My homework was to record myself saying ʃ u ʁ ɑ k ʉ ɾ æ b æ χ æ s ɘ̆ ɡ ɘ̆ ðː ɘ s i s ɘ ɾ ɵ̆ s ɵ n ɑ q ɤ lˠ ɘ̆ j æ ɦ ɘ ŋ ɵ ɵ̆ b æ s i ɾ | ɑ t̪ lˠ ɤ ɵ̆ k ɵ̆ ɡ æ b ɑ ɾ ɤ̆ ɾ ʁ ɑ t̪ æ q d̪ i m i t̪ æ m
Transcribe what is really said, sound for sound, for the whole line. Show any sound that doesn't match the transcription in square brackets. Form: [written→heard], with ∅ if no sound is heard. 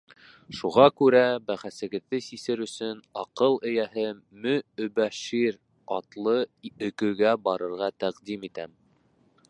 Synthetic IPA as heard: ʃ u ʁ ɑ k ʉ ɾ æ b æ χ æ s ɘ̆ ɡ ɘ̆ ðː ɘ s i s ɘ ɾ ɵ̆ s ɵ n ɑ q ɤ lˠ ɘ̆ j æ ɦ ɘ [ŋ→m] ɵ ɵ̆ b æ [s→ʃ] i ɾ | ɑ t̪ lˠ ɤ ɵ̆ k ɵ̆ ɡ æ b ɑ ɾ ɤ̆ ɾ ʁ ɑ t̪ æ q d̪ i m i t̪ æ m